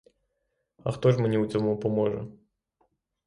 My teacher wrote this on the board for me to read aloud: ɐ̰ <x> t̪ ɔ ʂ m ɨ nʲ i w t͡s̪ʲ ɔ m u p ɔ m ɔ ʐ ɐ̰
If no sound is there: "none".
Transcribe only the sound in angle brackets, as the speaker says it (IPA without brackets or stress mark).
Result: x